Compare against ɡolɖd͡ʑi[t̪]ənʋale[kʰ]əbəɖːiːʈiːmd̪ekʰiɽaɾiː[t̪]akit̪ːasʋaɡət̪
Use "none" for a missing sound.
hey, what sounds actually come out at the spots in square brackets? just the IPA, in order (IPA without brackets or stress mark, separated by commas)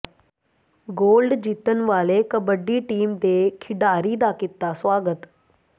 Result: t̪, k, d̪